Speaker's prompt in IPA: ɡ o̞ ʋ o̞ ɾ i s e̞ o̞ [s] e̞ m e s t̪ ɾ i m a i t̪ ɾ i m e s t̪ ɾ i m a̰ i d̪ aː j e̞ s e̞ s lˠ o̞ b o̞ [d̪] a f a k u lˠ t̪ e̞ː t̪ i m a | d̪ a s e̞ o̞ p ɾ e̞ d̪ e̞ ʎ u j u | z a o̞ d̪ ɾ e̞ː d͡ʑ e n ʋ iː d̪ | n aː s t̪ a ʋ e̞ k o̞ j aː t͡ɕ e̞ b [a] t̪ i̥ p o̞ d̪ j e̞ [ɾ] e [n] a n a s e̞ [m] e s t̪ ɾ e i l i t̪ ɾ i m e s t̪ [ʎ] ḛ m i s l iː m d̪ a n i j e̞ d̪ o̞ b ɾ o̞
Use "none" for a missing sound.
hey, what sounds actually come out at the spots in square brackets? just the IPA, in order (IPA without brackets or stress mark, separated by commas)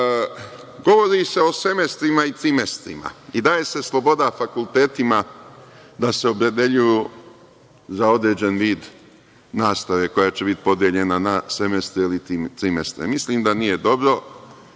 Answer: s, d̪, i, ʎ, n, m, ɾ